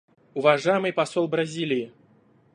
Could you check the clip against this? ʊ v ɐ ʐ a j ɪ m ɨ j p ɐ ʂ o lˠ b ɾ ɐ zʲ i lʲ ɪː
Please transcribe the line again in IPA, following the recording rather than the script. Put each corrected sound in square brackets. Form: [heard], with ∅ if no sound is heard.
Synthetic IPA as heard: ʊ v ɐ ʐ a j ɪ m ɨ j p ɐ [s] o lˠ b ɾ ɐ zʲ i lʲ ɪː

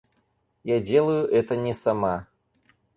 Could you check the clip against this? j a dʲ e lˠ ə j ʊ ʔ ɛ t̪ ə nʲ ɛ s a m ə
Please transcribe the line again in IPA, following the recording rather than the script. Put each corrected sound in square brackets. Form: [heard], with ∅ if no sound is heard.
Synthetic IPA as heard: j a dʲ e lˠ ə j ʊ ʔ ɛ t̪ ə nʲ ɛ s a m [a]

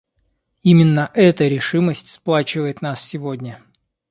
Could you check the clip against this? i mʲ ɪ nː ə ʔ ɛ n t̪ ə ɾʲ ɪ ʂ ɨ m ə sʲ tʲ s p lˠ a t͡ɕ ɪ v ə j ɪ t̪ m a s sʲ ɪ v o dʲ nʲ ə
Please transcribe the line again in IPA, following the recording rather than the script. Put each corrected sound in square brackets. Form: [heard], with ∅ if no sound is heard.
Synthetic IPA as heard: i mʲ ɪ nː ə ʔ ɛ [∅] t̪ ə ɾʲ ɪ ʂ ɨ m ə sʲ tʲ s p lˠ a t͡ɕ ɪ v ə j ɪ t̪ [n] a s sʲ ɪ v o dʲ nʲ ə

